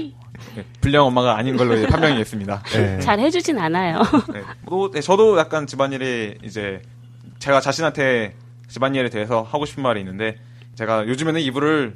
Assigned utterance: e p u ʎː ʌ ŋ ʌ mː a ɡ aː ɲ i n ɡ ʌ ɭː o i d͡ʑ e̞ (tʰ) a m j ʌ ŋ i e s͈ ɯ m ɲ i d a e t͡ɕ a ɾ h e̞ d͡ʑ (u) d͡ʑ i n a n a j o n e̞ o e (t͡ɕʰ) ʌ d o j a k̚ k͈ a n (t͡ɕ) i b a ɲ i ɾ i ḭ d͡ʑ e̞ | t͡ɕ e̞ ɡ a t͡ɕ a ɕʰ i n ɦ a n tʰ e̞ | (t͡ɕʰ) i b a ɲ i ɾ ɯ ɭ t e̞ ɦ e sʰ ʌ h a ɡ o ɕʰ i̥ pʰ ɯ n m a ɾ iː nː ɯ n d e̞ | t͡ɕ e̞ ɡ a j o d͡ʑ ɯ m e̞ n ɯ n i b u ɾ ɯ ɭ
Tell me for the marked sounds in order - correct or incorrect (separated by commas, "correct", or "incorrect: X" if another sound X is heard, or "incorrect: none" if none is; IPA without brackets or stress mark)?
incorrect: pʰ, correct, incorrect: t͡ɕ, correct, incorrect: t͡ɕ